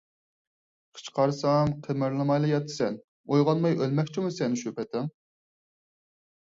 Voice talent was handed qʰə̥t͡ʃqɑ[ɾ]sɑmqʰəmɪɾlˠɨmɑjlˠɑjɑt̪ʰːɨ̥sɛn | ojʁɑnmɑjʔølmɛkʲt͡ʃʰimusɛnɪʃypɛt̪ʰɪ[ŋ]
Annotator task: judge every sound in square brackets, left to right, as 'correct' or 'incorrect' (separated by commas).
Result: correct, correct